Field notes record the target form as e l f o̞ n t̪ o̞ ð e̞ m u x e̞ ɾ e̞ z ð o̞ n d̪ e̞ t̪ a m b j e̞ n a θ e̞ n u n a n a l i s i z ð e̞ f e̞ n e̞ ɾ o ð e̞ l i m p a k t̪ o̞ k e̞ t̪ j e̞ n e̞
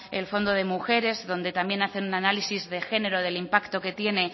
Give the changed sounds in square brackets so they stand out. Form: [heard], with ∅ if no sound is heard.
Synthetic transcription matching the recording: e l f o̞ n [d̪] o̞ ð e̞ m u x e̞ ɾ e̞ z ð o̞ n d̪ e̞ t̪ a m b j e̞ n a θ e̞ n u n a n a l i s i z ð e̞ [x] e̞ n e̞ ɾ o ð e̞ l i m p a k t̪ o̞ k e̞ t̪ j e̞ n e̞